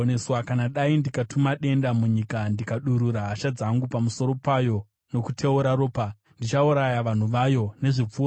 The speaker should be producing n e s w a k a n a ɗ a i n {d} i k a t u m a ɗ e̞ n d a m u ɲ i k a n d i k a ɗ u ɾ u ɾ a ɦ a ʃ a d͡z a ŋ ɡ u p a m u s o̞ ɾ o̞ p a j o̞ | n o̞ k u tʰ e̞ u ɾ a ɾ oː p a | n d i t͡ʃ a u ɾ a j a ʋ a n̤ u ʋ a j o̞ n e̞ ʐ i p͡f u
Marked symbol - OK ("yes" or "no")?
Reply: yes